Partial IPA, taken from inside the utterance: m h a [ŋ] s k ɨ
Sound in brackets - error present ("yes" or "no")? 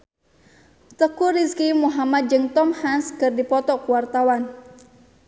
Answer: yes